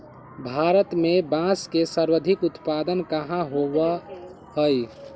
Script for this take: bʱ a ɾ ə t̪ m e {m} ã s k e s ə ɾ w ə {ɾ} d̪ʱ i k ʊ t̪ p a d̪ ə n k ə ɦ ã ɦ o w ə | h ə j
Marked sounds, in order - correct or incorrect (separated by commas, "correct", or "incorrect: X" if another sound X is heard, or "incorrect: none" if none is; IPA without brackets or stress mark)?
incorrect: b, incorrect: none